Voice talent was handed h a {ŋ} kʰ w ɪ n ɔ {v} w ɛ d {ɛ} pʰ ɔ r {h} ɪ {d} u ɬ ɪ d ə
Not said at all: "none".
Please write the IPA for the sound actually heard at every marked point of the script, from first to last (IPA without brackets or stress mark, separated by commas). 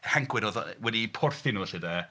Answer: ŋ, ð, i, θ, n